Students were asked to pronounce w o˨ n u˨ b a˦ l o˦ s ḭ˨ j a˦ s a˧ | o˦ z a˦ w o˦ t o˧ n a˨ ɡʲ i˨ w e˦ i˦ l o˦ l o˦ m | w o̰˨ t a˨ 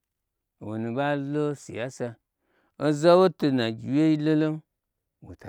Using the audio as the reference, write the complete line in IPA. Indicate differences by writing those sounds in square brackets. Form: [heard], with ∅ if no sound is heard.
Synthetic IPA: w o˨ n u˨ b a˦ l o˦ s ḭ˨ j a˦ s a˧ | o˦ z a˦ w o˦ t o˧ n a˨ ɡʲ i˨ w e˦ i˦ l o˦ l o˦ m | w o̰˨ t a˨